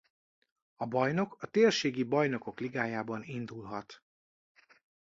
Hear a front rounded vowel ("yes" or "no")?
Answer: no